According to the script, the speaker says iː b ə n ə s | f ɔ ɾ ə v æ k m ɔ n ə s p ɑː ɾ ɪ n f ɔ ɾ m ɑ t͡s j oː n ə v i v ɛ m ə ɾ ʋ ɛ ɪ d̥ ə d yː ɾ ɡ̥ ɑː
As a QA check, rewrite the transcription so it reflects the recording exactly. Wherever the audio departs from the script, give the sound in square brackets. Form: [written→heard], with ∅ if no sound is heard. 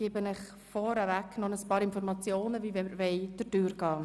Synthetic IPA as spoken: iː b ə n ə [s→χ] | f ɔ ɾ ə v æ k [m→n] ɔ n ə s p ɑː ɾ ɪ n f ɔ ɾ m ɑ t͡s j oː n ə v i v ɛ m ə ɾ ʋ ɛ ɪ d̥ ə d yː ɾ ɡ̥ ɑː